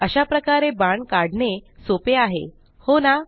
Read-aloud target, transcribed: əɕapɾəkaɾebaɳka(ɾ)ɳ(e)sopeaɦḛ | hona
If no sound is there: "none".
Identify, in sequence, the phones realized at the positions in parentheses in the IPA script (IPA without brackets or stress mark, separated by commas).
ɽ, e